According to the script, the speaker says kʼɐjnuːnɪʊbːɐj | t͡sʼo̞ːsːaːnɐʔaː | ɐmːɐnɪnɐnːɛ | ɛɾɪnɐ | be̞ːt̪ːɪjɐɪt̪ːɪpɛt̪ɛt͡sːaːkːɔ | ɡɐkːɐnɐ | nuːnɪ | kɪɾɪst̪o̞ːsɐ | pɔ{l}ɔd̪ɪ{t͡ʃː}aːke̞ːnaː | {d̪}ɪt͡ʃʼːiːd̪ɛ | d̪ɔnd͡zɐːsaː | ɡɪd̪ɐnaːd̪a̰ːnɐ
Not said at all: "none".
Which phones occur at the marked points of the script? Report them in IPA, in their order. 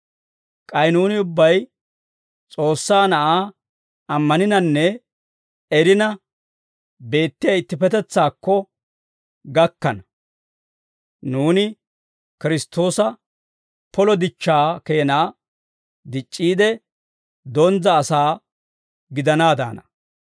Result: l, t͡ʃː, d̪

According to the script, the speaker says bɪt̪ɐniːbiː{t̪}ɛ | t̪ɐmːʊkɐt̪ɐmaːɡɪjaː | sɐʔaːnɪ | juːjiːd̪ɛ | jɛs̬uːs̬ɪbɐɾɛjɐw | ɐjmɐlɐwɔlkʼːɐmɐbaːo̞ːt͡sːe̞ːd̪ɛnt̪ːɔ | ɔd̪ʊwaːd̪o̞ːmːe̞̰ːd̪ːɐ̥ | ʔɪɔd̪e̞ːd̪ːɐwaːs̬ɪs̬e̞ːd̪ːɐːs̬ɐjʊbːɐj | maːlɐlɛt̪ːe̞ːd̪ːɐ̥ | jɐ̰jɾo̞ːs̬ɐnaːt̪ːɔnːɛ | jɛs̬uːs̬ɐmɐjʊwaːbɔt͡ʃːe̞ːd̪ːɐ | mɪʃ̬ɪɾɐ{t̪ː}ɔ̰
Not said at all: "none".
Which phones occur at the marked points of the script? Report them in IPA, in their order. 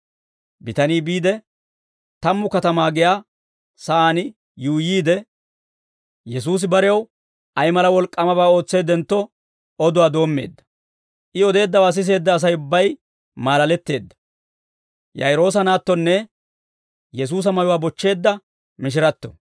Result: d̪, t̪ː

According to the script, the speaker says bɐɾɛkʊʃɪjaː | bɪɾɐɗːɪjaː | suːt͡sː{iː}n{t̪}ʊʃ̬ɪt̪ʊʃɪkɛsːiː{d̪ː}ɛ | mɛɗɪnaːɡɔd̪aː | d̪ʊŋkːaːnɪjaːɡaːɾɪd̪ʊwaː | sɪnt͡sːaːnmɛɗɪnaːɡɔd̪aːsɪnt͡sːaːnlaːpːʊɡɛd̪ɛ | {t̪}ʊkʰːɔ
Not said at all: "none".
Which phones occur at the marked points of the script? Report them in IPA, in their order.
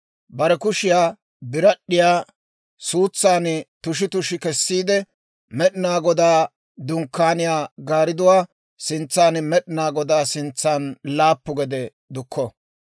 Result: aː, t̪, d̪, d̪

